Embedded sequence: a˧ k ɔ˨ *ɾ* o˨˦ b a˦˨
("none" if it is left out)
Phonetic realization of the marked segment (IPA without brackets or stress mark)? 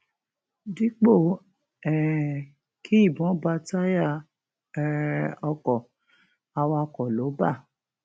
l